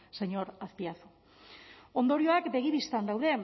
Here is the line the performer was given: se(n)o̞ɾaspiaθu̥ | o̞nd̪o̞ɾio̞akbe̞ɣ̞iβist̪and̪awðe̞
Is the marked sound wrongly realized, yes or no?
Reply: yes